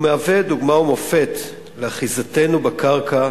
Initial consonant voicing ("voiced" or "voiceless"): voiced